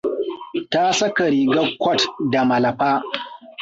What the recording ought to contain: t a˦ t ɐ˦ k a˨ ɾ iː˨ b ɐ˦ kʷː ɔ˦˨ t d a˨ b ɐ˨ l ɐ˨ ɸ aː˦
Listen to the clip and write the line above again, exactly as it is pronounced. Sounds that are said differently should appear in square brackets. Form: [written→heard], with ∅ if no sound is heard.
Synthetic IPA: t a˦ [t→s] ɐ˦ k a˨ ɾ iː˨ [b→ɡ] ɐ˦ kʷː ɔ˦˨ t d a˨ [b→m] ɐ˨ l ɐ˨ ɸ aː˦

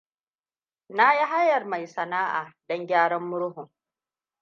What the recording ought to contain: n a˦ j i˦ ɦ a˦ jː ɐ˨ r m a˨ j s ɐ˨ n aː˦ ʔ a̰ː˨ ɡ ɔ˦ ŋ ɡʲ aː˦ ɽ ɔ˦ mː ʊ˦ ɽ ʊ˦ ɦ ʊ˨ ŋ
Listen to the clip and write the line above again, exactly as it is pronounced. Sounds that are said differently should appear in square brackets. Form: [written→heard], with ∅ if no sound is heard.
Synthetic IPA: n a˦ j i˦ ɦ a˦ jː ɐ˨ r m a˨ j s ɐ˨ n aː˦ ʔ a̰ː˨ [ɡ→d] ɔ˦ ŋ ɡʲ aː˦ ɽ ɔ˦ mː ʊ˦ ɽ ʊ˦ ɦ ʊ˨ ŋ

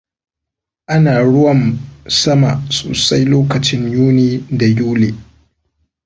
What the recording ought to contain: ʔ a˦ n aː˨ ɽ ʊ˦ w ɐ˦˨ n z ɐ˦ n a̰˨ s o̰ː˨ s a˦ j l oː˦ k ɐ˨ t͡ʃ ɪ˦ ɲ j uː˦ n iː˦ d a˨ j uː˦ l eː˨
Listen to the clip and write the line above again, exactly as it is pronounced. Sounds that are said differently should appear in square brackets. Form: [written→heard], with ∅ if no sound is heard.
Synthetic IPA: ʔ a˦ n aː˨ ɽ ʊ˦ w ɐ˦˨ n [z→s] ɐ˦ [n→m] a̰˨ s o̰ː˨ s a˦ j l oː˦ k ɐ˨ t͡ʃ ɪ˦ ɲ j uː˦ n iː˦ d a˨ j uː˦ l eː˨

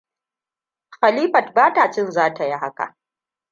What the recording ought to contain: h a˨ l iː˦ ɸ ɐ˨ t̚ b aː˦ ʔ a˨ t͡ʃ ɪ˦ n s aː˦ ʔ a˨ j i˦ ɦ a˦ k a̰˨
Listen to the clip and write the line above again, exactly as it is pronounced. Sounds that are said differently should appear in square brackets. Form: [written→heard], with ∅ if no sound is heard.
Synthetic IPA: [h→x] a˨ l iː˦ ɸ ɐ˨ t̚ b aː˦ [ʔ→t] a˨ t͡ʃ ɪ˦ n [s→z] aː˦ [ʔ→t] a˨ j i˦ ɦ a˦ k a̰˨

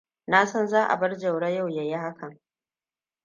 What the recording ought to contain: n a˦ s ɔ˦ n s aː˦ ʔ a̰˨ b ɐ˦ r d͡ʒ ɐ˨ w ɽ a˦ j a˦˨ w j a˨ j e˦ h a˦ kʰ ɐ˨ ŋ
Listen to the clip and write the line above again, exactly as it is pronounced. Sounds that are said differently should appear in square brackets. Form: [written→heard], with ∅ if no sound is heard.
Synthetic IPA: n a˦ s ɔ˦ n [s→z] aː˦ ʔ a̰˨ b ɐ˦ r d͡ʒ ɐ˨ w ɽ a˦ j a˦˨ w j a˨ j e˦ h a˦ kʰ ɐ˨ ŋ

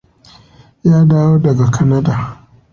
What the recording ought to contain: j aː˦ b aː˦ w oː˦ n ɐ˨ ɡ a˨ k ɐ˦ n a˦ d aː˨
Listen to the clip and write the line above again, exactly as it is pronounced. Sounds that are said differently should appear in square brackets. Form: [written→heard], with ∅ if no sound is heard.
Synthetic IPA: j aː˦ [b→d] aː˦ w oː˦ [n→d] ɐ˨ ɡ a˨ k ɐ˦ n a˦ d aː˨

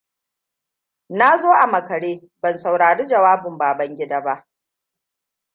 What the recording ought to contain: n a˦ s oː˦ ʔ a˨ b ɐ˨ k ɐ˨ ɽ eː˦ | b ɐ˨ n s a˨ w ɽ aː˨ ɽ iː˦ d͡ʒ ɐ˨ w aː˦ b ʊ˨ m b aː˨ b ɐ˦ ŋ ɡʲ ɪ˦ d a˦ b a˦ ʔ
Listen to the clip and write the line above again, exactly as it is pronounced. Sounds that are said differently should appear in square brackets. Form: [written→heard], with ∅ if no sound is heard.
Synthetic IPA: n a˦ [s→z] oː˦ ʔ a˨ [b→m] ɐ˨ k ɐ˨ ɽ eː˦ | b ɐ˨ n s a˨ w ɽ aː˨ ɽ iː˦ d͡ʒ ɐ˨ w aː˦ b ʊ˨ m b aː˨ b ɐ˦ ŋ ɡʲ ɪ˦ d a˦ b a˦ ʔ

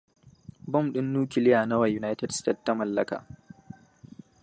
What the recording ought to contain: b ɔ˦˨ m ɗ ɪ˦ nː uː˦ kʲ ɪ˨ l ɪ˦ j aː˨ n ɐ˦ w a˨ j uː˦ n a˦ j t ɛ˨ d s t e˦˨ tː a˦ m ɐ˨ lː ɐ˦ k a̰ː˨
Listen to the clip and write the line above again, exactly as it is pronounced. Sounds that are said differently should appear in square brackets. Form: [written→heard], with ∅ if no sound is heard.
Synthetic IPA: b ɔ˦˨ m ɗ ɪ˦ nː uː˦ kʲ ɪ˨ l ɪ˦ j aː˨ n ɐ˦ w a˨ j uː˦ n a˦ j t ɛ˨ d s t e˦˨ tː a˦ m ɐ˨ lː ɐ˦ k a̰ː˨

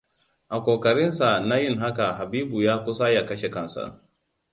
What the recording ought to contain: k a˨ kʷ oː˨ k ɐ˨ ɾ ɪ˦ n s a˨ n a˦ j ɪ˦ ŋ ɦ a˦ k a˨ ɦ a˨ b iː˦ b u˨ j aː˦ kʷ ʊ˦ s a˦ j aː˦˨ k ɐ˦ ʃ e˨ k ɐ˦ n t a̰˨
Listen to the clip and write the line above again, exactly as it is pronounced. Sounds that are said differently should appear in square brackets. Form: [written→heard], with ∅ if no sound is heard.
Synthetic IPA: [k→ʔ] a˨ kʷ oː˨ k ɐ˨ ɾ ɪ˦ n s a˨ n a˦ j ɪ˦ ŋ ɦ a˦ k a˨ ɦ a˨ b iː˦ b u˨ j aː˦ kʷ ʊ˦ s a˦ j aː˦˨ k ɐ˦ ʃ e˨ k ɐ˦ n [t→s] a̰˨

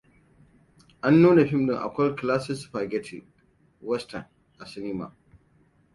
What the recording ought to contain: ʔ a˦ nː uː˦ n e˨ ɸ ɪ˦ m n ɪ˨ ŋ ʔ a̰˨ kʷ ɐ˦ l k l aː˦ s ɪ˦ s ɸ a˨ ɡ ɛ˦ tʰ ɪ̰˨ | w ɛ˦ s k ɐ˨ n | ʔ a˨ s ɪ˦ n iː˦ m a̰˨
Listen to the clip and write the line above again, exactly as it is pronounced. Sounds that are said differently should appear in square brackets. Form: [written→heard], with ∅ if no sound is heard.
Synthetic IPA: ʔ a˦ nː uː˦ n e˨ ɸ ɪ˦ m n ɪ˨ ŋ ʔ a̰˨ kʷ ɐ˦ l k l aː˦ s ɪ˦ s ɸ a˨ ɡ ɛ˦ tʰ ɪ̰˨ | w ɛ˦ s [k→t] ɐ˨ n | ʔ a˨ s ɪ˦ n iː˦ m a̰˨

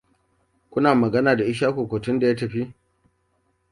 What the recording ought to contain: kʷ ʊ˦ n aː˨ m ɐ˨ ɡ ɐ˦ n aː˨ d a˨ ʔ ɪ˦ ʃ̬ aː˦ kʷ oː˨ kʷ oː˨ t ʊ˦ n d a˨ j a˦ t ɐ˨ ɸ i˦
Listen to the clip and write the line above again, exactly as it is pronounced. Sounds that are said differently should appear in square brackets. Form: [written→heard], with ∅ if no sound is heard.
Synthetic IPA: kʷ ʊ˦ n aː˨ m ɐ˨ ɡ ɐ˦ n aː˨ d a˨ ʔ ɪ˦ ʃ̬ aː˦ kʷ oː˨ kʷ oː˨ t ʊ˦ n d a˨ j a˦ t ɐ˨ ɸ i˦

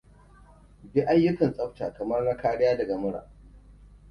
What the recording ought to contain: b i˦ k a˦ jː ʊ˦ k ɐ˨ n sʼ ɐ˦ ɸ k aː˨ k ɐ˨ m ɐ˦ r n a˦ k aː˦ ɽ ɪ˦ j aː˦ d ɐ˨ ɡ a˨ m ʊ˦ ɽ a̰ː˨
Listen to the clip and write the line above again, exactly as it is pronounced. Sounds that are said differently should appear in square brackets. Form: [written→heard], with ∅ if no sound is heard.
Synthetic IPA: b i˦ [k→ʔ] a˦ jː ʊ˦ k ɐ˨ n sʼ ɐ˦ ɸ [k→t] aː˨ k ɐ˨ m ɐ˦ r n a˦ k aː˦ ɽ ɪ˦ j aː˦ d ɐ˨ ɡ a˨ m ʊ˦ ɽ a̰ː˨

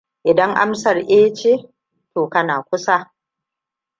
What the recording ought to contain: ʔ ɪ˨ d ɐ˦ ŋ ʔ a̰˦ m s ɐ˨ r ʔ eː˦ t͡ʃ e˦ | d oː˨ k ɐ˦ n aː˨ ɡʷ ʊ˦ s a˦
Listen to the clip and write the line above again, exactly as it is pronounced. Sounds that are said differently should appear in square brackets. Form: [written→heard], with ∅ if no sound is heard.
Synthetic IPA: ʔ ɪ˨ d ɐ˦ ŋ ʔ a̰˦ m s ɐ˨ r ʔ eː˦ t͡ʃ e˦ | [d→t] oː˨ k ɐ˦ n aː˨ [ɡʷ→kʷ] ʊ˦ s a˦

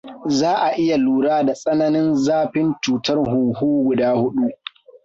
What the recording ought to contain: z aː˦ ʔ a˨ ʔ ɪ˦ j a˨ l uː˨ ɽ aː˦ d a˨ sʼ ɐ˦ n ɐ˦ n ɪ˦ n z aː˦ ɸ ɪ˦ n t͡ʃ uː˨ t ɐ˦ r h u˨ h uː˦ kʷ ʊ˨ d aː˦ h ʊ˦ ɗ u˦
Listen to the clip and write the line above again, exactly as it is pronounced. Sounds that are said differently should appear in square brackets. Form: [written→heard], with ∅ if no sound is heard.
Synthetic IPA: z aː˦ ʔ a˨ ʔ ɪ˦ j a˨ l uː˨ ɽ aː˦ d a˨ sʼ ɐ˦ n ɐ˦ n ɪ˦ n z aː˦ ɸ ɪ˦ n t͡ʃ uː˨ t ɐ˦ r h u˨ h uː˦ [kʷ→ɡʷ] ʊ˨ d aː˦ h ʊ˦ ɗ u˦

